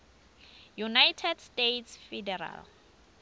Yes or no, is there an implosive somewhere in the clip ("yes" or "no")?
no